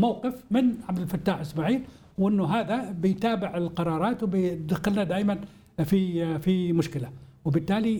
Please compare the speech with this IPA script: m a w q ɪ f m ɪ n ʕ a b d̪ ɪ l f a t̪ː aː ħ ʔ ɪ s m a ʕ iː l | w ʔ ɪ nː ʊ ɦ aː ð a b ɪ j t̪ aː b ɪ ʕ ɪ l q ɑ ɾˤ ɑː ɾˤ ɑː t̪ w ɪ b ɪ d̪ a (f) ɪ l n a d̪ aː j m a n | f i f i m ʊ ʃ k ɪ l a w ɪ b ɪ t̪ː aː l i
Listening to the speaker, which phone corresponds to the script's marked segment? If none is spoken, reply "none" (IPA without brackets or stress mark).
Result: x